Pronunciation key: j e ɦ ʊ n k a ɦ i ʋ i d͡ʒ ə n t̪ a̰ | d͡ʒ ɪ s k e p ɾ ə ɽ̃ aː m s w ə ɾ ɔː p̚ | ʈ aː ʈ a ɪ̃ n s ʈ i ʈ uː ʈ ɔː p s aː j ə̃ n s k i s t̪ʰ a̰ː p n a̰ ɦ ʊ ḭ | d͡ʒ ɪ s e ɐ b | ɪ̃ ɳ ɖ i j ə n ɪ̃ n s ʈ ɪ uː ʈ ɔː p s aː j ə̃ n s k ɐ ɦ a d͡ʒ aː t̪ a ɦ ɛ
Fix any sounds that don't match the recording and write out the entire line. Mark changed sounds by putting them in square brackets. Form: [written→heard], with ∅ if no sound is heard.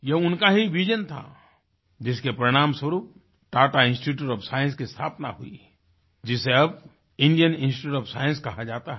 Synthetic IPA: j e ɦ ʊ n k a ɦ i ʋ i d͡ʒ ə n [t̪→t̪ʰ] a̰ | d͡ʒ ɪ s k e p ɾ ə ɽ̃ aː m s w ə ɾ [ɔː→uː] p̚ | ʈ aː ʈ a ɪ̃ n s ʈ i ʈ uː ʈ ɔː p s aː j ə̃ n s k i s t̪ʰ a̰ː p n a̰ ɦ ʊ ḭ | d͡ʒ ɪ s e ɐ b | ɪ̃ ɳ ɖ i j ə n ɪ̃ n s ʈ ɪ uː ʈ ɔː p s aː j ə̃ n s k ɐ ɦ a d͡ʒ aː t̪ a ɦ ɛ

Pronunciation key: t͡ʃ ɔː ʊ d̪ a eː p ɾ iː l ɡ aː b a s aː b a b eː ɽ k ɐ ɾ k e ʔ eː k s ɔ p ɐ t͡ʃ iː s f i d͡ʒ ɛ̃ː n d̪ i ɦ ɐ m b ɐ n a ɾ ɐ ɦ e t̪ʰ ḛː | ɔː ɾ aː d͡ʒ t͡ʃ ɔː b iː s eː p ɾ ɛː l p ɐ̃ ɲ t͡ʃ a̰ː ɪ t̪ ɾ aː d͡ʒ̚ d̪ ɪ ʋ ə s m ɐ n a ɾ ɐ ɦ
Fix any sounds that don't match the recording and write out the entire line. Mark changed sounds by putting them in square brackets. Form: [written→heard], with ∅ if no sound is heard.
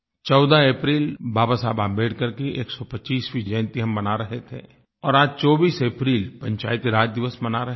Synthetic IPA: t͡ʃ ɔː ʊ d̪ a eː p ɾ iː l [ɡ→b] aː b a s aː b a b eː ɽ k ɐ ɾ k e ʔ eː k s ɔ p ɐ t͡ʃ iː s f i d͡ʒ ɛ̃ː n [d̪→t̪] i ɦ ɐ m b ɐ n a ɾ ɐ ɦ e t̪ʰ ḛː | ɔː ɾ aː d͡ʒ t͡ʃ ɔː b iː s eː p ɾ [ɛː→iː] l p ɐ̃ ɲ t͡ʃ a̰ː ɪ t̪ ɾ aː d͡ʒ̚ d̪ ɪ ʋ ə s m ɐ n a ɾ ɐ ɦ

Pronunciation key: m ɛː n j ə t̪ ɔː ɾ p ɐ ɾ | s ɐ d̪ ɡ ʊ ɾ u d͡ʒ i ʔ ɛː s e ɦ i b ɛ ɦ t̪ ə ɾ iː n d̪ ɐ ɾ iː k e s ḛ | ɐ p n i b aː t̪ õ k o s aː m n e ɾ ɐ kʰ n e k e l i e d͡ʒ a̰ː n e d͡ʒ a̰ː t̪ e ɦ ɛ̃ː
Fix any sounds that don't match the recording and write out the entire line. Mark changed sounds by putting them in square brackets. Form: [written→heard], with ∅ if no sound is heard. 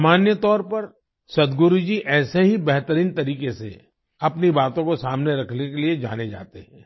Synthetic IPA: m [ɛː→aː] n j ə t̪ ɔː ɾ p ɐ ɾ | s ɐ d̪ ɡ ʊ ɾ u d͡ʒ i ʔ ɛː s e ɦ i b ɛ ɦ t̪ ə ɾ iː n [d̪→t̪] ɐ ɾ iː k e s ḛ | ɐ p n i b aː t̪ õ k o s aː m n e ɾ ɐ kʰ n e k e l i e d͡ʒ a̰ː n e d͡ʒ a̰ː t̪ e ɦ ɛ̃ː

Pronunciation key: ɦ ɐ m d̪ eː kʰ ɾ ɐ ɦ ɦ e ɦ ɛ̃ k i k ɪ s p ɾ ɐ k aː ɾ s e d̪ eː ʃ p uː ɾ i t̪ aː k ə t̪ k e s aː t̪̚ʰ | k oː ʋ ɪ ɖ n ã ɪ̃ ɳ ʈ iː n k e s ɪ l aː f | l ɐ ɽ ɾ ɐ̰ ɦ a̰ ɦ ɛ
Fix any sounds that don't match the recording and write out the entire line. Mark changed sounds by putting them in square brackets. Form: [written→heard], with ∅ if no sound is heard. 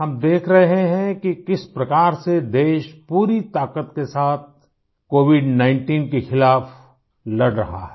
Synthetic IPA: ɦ ɐ m d̪ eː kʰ ɾ ɐ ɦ ɦ e ɦ ɛ̃ k i k ɪ s p ɾ ɐ k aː ɾ s e d̪ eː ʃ p uː ɾ i t̪ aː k ə t̪ k e s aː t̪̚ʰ | k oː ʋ ɪ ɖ n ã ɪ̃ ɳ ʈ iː n k e [s→x] ɪ l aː f | l ɐ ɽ ɾ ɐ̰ ɦ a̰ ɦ ɛ

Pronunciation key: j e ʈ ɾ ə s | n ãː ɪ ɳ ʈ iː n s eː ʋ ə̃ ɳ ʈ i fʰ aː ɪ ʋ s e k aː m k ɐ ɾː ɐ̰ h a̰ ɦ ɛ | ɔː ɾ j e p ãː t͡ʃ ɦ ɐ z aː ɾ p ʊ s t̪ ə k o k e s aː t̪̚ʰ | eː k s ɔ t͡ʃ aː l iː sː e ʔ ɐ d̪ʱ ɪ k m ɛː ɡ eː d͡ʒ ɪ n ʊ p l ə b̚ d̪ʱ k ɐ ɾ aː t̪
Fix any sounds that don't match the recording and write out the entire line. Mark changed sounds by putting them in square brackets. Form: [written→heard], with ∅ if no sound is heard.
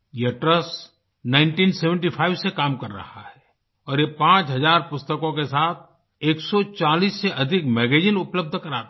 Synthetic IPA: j e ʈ ɾ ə s | n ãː ɪ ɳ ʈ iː n s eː ʋ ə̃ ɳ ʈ i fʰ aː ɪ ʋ s e k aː m k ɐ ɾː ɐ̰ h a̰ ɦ ɛ | ɔː ɾ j e p ãː t͡ʃ ɦ ɐ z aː ɾ p ʊ s t̪ ə k [o→õ] k e s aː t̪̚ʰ | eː k s ɔ t͡ʃ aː l iː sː e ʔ ɐ d̪ʱ ɪ k m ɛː ɡ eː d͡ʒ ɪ n ʊ p l ə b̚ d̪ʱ k ɐ ɾ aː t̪

